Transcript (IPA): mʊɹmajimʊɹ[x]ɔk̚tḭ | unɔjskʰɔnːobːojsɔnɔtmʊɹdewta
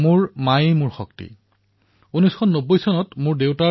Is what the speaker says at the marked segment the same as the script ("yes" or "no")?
yes